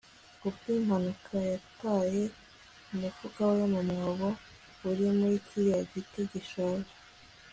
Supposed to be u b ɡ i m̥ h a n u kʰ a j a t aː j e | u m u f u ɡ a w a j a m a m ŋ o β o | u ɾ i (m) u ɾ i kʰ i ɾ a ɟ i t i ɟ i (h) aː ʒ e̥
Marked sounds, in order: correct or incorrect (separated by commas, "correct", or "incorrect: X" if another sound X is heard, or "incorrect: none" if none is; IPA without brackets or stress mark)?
correct, incorrect: ʃ